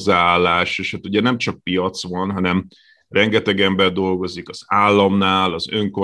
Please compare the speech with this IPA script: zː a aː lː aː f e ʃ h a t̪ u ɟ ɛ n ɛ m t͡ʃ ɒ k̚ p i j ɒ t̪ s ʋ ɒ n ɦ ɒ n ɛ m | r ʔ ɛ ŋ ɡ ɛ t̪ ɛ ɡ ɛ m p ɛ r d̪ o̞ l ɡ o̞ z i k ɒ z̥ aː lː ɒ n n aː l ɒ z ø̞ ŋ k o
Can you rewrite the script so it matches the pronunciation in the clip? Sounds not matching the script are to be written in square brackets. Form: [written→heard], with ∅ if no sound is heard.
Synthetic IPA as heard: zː a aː lː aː [f→ʃ] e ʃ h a t̪ u ɟ ɛ n ɛ m t͡ʃ ɒ k̚ p i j ɒ t̪ s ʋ ɒ n ɦ ɒ n ɛ m | r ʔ ɛ ŋ ɡ ɛ t̪ ɛ ɡ ɛ m [p→b] ɛ r d̪ o̞ l ɡ o̞ z i k ɒ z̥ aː lː ɒ [n→m] n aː l ɒ z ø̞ ŋ k o